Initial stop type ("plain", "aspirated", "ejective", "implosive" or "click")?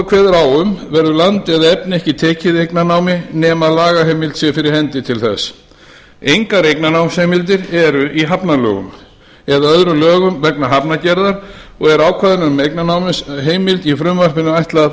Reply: aspirated